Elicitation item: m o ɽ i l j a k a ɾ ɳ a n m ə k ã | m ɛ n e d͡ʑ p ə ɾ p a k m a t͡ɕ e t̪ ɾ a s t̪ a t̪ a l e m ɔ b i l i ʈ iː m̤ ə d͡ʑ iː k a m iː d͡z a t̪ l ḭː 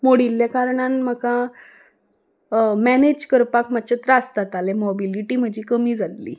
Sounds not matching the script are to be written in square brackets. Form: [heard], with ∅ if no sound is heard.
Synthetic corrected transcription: m o ɽ i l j a k a ɾ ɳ a n m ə k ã | m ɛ n e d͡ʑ [k] ə ɾ p a k m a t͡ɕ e t̪ ɾ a s t̪ a t̪ a l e m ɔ b i l i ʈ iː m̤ ə d͡ʑ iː k [ə] m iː d͡z a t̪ l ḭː